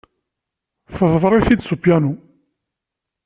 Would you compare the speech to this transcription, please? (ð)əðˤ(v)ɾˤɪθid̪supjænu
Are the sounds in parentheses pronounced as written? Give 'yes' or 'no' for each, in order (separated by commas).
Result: no, yes